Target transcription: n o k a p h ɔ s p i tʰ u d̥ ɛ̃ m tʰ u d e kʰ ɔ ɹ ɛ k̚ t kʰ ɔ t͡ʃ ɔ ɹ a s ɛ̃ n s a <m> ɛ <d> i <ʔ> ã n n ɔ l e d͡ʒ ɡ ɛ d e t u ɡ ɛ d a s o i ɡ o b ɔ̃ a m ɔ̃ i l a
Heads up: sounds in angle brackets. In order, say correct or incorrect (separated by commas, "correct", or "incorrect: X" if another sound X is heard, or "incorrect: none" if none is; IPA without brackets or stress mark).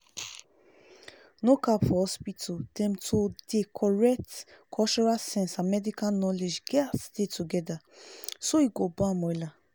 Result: correct, correct, incorrect: k